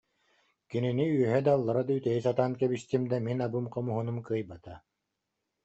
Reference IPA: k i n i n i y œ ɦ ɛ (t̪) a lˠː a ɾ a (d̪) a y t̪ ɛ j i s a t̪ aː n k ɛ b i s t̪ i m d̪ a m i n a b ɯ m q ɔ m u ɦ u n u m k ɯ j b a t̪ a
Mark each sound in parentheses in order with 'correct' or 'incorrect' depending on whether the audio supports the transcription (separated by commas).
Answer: incorrect, correct